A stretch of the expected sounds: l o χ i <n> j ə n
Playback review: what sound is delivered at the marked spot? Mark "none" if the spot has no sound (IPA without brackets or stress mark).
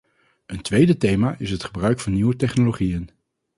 none